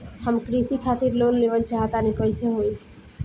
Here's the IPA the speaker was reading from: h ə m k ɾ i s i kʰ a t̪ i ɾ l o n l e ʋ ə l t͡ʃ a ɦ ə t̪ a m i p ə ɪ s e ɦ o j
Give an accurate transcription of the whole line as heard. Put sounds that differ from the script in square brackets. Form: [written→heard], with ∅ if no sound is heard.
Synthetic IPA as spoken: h ə m k ɾ i s i kʰ a t̪ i ɾ l o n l e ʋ ə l t͡ʃ a ɦ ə t̪ a [m→n] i p ə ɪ s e ɦ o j